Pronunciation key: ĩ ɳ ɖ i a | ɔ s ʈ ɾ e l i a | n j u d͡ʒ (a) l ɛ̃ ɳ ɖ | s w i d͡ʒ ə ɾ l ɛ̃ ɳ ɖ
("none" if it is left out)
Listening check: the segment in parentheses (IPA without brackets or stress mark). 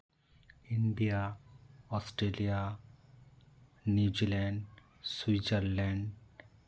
i